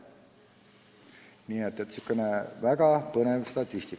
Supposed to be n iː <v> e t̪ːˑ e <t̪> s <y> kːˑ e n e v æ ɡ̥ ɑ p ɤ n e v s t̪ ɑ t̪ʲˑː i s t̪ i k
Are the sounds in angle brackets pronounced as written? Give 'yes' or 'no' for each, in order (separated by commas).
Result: no, yes, yes